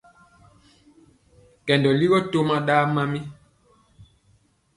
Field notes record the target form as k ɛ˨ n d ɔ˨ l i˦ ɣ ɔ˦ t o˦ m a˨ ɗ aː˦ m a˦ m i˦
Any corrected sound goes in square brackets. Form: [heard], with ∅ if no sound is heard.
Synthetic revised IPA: k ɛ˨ n d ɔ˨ l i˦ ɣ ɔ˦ t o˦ m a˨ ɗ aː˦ m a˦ m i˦